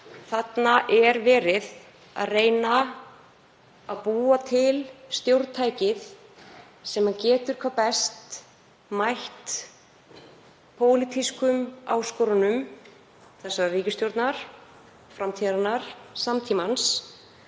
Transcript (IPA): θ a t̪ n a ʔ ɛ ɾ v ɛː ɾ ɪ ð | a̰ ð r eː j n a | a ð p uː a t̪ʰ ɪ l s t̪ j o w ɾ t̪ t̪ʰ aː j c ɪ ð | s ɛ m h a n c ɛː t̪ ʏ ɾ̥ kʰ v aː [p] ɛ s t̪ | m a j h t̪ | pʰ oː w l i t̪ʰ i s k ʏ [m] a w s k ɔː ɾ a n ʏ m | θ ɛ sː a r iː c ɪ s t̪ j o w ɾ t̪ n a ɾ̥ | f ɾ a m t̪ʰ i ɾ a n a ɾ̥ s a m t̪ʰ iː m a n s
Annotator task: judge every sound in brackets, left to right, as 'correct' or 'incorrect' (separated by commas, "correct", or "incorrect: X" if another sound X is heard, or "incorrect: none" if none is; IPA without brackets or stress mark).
correct, correct